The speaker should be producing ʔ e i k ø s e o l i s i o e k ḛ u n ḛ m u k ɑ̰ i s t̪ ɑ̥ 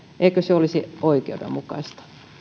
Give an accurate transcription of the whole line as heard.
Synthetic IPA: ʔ e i k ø s e o l i s i o i k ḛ u d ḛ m u k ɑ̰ i s t̪ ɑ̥